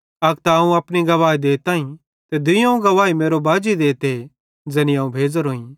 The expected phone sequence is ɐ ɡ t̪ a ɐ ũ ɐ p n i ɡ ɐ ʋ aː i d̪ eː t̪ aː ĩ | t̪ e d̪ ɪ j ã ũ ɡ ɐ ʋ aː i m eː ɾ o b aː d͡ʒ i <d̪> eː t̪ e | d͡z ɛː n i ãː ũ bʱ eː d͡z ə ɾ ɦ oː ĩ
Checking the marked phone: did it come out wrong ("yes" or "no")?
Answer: no